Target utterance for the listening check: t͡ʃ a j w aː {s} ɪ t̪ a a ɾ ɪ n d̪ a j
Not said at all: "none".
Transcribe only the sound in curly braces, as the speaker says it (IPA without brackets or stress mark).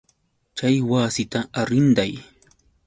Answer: s